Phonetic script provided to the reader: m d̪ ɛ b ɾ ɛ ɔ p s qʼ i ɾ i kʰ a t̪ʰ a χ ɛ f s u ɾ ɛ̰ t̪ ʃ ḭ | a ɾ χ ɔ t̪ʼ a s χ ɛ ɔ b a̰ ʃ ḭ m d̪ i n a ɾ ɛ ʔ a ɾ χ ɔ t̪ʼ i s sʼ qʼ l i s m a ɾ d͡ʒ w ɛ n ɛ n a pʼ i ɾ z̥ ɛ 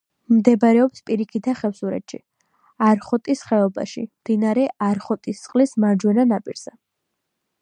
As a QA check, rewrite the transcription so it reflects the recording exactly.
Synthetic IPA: m d̪ ɛ b ɾ ɛ ɔ p s pʼ i ɾ i kʰ i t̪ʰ a χ ɛ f s u ɾ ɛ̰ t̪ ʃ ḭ | a ɾ χ ɔ t̪ʼ i s χ ɛ ɔ b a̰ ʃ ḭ m d̪ i n a ɾ ɛ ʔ a ɾ χ ɔ t̪ʼ i s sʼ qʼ l i s m a ɾ d͡ʒ w ɛ n a n a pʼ i ɾ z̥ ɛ